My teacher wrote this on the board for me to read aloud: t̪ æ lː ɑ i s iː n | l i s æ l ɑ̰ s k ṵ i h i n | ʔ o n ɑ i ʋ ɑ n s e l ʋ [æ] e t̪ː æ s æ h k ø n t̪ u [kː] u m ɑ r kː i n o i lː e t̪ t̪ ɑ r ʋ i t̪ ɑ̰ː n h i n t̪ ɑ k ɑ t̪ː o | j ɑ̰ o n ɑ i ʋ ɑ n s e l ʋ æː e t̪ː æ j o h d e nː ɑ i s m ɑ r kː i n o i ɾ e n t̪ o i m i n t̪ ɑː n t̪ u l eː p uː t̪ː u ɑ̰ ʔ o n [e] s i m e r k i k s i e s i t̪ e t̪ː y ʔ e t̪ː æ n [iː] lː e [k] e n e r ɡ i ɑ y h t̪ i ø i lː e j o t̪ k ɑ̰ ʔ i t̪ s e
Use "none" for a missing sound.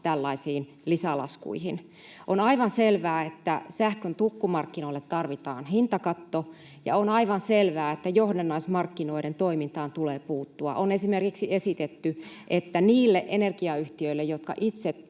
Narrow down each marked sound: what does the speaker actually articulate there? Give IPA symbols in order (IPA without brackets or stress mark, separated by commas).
æː, kː, e, iː, ʔ